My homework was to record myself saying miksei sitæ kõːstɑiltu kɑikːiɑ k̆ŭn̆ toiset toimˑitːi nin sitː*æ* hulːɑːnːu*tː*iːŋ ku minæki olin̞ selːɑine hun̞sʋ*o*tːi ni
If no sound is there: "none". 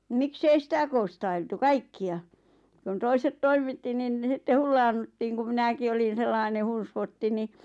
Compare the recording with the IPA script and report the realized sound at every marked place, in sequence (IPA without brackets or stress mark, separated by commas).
e, tː, o